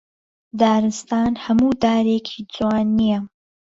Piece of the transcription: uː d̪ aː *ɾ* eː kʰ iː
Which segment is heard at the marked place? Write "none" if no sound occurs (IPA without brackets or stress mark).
ɾ